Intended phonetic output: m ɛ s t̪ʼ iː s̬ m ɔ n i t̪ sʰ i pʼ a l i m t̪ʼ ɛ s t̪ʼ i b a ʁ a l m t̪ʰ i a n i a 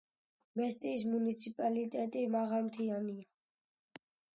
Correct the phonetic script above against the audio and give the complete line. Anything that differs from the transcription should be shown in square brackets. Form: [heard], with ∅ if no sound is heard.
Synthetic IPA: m ɛ s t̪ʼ iː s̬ m [u] n i t̪ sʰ i pʼ a l i [∅] t̪ʼ ɛ [∅] t̪ʼ i [m] a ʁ a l m t̪ʰ i a n i a